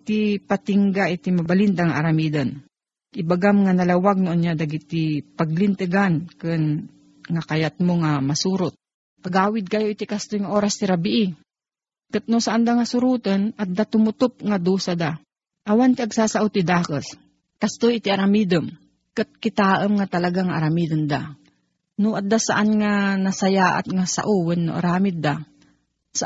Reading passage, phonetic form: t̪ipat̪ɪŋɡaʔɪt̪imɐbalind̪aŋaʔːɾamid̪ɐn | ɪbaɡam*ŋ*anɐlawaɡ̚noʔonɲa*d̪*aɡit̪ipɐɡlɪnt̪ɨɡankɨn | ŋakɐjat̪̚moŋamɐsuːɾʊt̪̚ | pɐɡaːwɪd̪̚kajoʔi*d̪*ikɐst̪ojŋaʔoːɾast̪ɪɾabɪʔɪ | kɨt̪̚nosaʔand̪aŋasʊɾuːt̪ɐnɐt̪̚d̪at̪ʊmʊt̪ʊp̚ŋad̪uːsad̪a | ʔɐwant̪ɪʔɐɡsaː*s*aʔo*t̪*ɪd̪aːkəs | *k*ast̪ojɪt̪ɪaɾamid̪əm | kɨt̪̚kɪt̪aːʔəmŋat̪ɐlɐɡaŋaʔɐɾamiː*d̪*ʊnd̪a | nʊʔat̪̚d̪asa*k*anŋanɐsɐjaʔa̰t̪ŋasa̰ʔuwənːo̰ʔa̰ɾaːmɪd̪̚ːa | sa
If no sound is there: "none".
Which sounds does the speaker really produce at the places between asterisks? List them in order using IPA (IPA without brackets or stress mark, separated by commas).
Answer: ŋ, d̪, t̪, s, t̪, k, d̪, ʔ